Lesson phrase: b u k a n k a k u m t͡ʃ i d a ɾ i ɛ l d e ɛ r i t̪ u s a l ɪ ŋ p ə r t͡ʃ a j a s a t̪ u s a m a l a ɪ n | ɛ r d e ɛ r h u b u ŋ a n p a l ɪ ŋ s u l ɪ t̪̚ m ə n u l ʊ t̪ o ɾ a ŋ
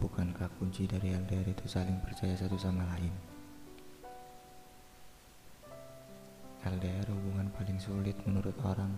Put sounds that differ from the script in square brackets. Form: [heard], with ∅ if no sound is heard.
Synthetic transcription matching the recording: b u k a n k a k u [ɲ] t͡ʃ i d a ɾ i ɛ l d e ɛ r i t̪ u s a l ɪ ŋ p ə r t͡ʃ a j a s a t̪ u s a m a l a ɪ n | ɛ [l] d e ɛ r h u b u ŋ a n p a l ɪ ŋ s u l ɪ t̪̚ m ə n u [ɾ] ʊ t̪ o ɾ a ŋ